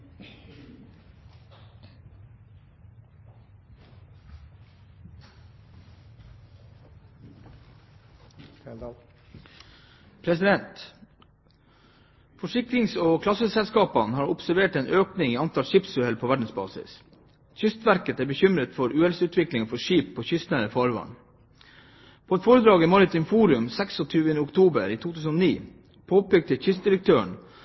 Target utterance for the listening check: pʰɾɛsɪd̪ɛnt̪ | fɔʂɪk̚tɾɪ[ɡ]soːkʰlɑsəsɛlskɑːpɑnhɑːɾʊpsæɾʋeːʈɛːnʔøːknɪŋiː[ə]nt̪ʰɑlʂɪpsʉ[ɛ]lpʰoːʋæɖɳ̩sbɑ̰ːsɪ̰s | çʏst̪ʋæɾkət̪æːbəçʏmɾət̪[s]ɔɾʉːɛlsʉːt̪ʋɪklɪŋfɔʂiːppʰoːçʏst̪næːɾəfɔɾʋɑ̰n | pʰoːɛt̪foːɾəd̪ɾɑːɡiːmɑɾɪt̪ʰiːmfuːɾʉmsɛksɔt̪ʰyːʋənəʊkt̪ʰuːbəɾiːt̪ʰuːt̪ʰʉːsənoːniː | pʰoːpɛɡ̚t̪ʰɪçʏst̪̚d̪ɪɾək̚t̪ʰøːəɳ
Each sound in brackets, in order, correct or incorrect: incorrect, incorrect, correct, incorrect

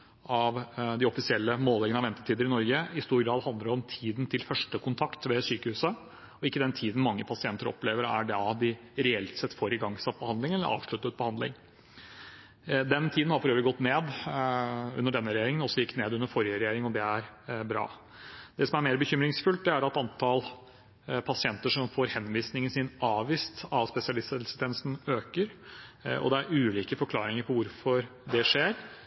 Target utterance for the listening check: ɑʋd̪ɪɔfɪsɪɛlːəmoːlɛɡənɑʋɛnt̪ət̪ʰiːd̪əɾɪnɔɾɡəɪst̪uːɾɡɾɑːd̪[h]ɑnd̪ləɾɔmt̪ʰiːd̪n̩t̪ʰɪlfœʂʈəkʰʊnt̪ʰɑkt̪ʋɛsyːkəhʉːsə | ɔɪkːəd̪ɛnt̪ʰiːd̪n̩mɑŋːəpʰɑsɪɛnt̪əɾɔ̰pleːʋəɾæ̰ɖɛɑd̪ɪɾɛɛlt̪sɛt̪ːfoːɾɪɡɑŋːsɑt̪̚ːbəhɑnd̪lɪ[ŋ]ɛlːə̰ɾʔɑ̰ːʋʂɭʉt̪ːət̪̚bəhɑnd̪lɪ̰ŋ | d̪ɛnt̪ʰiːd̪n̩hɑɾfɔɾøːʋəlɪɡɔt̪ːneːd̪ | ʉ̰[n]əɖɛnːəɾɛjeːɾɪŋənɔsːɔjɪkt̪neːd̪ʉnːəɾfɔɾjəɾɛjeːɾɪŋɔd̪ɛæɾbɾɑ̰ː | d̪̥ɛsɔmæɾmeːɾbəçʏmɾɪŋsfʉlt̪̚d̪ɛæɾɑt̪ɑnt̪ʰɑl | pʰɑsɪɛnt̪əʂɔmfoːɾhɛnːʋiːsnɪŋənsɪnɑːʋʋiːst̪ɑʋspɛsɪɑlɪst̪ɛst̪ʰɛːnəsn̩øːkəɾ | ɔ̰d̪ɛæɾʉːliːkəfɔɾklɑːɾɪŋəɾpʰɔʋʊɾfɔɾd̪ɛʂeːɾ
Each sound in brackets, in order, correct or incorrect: correct, correct, incorrect

